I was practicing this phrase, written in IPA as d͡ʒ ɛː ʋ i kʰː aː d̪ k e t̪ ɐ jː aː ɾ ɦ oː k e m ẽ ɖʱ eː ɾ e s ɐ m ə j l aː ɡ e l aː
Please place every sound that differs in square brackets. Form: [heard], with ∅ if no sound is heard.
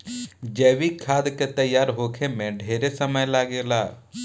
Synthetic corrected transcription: d͡ʒ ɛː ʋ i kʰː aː d̪ k e t̪ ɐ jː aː ɾ ɦ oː [kʰ] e m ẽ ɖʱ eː ɾ e s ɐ m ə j l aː ɡ e l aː